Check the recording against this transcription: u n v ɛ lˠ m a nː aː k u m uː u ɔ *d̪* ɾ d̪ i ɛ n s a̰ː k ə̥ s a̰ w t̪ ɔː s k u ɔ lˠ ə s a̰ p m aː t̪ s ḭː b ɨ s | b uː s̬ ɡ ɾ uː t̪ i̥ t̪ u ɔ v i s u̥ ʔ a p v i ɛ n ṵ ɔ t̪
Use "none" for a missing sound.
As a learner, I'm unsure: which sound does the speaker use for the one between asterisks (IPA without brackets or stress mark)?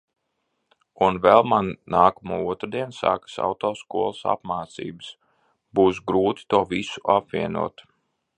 t̪